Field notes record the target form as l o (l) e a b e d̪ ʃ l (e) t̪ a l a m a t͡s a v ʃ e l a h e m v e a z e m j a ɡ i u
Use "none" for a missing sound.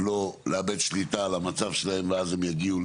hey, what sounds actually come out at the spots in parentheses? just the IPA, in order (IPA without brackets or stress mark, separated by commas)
l, i